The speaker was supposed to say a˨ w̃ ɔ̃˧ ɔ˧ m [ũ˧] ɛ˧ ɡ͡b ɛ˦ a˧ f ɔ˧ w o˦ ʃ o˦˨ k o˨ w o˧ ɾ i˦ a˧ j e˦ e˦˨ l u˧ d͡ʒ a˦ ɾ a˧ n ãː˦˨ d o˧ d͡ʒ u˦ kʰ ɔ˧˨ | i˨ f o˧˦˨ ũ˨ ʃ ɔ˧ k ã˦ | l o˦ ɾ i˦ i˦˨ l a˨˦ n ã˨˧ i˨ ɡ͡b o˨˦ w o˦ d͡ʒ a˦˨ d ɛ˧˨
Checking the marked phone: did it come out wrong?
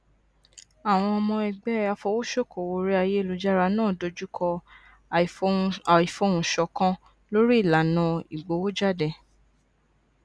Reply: yes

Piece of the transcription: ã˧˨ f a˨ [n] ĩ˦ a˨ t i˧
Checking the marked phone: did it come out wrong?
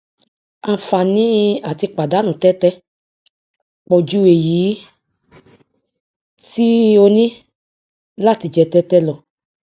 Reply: no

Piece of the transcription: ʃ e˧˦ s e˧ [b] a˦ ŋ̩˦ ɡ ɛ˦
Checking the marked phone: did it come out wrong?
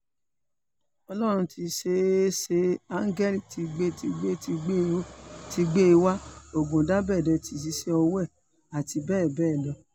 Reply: yes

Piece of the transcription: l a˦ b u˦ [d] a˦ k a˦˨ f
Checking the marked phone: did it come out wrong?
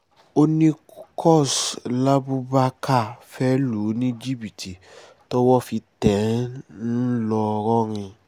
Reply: yes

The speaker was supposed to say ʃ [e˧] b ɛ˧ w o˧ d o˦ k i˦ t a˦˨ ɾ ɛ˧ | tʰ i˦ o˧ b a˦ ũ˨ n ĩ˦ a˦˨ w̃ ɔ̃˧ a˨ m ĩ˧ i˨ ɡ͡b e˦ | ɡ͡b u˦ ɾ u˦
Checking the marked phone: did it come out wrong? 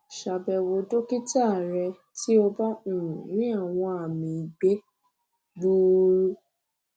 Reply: yes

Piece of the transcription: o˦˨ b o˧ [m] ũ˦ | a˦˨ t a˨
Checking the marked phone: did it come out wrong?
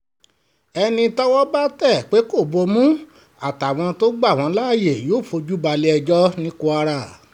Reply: no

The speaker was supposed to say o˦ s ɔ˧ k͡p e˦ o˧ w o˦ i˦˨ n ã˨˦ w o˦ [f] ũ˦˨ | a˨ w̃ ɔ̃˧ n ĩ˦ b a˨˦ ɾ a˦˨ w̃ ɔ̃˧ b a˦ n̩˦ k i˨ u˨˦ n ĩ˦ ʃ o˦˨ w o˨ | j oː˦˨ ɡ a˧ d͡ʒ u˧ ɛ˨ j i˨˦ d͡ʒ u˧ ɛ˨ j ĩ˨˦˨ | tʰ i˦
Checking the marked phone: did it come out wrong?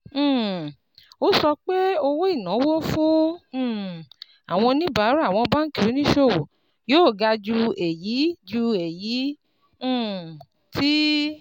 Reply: no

